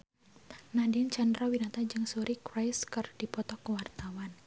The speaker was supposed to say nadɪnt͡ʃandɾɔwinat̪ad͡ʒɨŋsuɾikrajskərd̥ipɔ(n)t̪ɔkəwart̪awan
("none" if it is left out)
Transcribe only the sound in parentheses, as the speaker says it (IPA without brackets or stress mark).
none